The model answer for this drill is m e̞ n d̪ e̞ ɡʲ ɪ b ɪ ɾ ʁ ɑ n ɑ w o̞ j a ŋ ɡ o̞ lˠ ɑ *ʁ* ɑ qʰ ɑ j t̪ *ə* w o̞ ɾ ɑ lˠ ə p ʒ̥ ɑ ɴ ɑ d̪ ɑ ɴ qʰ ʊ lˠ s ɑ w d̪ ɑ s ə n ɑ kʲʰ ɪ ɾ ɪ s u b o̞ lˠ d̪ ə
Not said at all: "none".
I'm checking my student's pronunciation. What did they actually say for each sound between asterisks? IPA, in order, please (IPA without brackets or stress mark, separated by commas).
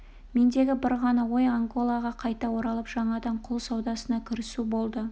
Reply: ʁ, ɑ